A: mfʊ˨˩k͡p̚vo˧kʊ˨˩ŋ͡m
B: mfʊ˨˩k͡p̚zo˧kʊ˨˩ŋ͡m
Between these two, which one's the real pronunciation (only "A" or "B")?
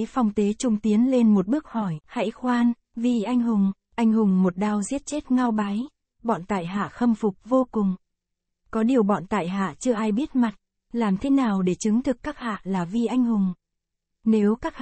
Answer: A